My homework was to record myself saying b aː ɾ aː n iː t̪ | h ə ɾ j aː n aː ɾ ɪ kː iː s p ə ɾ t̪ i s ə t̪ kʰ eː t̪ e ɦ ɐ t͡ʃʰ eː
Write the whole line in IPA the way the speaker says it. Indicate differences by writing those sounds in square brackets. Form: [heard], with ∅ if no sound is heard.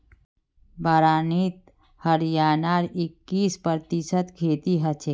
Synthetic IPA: b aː ɾ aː n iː t̪ | h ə ɾ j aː n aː ɾ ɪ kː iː s p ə ɾ t̪ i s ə t̪ kʰ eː t̪ [i] ɦ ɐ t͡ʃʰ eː

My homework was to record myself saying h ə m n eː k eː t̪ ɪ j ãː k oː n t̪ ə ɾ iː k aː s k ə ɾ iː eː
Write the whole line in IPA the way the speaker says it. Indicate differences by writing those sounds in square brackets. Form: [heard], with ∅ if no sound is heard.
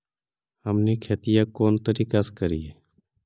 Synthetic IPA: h ə m n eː [kʰ] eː t̪ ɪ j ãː k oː n t̪ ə ɾ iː k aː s k ə ɾ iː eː

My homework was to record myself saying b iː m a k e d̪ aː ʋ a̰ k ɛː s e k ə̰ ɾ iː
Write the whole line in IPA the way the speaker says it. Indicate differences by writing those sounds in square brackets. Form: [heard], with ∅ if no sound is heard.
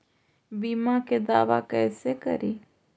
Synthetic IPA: b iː m a k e d̪ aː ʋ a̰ k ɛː s e k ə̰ ɾ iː

